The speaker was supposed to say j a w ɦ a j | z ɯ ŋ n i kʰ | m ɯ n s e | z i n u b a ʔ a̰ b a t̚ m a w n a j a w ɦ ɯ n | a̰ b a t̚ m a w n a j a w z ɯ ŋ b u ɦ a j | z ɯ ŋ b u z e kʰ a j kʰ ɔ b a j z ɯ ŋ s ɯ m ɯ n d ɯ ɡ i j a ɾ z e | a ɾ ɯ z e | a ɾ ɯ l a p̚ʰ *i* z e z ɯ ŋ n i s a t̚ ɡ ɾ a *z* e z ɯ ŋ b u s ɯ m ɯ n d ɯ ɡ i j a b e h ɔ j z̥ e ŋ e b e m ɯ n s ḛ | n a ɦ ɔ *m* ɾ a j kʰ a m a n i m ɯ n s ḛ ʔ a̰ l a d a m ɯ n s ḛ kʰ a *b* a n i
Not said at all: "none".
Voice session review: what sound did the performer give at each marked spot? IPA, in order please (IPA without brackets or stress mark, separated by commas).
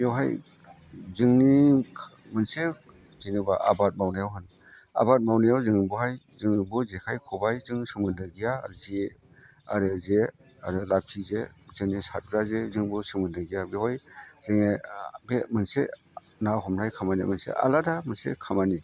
i, z, m, m